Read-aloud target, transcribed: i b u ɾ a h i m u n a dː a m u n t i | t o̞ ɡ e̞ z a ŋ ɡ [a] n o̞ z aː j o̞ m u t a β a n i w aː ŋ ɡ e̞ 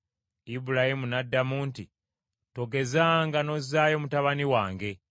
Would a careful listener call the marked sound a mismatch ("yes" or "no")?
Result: no